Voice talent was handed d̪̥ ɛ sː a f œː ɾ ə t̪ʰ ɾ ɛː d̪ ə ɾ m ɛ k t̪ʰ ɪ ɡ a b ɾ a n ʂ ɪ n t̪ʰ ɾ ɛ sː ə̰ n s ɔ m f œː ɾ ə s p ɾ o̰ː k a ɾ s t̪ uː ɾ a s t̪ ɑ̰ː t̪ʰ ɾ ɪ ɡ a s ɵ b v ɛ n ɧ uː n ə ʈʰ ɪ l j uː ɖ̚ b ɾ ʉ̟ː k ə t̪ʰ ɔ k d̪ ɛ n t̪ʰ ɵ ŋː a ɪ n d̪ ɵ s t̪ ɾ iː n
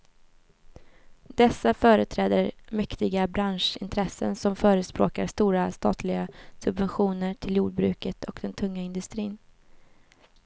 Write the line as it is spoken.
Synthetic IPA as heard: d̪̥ ɛ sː a f œː ɾ ə t̪ʰ ɾ ɛː d̪ ə ɾ m ɛ k t̪ ɪ ɡ a b ɾ a n ʂ ɪ n t̪ʰ ɾ ɛ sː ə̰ n s ɔ m f œː ɾ ə s p ɾ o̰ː k a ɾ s t̪ uː ɾ a s t̪ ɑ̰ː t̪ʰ l ɪ ɡ a s ɵ b v ɛ n ɧ uː n ə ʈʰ ɪ l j uː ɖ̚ b ɾ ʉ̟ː k ə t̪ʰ ɔ k d̪ ɛ n t̪ʰ ɵ ŋː a ɪ n d̪ ɵ s t̪ ɾ iː n